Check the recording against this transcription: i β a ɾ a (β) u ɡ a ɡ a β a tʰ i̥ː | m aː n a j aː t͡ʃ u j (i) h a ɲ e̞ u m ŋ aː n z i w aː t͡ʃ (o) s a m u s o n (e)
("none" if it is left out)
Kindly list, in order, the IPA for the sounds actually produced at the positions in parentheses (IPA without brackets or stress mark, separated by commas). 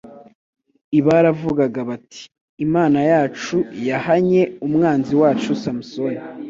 v, a, u, i